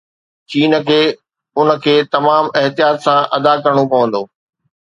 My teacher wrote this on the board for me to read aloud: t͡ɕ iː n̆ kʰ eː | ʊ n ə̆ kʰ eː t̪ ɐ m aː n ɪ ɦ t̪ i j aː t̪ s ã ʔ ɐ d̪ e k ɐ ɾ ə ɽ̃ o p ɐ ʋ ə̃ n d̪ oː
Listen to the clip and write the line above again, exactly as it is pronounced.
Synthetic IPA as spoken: t͡ɕ iː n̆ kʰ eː | ʊ n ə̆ kʰ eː t̪ ɐ m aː m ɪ ɦ t̪ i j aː t̪ s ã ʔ ɐ d̪ a k ɐ ɾ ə ɽ̃ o p ɐ ʋ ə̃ n d̪ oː